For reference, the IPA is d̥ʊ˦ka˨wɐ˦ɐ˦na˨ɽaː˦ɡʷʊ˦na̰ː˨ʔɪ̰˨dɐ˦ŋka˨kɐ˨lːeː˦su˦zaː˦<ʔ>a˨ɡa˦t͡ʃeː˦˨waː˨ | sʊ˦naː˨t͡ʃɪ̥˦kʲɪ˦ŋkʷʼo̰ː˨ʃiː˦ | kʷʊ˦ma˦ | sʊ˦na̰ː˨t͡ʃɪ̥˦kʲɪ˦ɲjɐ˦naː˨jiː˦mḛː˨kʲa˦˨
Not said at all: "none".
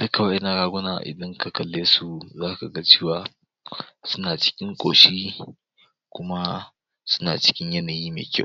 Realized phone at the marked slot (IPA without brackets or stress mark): k